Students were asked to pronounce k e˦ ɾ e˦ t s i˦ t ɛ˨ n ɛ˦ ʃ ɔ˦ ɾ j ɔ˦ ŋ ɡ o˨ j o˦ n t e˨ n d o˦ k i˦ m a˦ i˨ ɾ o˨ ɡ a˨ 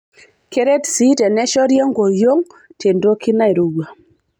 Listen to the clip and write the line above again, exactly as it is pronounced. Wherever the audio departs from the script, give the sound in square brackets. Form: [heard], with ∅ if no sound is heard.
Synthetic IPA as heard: k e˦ ɾ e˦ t s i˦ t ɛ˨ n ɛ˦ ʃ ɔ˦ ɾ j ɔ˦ ŋ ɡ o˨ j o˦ [ŋ] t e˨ n d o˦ k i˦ [n] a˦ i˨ ɾ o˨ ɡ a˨